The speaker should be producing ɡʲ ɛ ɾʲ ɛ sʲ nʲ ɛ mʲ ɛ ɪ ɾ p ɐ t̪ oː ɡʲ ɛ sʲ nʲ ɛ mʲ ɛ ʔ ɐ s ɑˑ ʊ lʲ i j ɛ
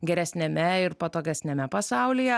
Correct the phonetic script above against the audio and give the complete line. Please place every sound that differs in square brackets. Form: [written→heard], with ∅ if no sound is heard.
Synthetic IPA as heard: ɡʲ ɛ ɾʲ ɛ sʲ nʲ ɛ mʲ ɛ ɪ ɾ p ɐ t̪ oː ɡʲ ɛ sʲ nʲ ɛ mʲ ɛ [ʔ→p] ɐ s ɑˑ ʊ lʲ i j ɛ